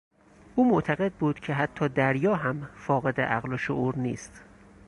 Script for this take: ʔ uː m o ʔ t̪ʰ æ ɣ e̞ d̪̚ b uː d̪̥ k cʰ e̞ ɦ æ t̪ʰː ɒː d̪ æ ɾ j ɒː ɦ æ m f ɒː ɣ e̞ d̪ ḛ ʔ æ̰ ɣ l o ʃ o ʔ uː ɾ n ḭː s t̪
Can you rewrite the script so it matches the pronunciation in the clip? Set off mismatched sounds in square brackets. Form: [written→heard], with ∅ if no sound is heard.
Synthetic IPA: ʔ uː m o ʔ t̪ʰ æ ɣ e̞ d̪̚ b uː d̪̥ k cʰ e̞ ɦ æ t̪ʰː ɒː d̪ æ ɾ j ɒː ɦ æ m f ɒː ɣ e̞ d̪ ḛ ʔ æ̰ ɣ l o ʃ o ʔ uː ɾ n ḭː s t̪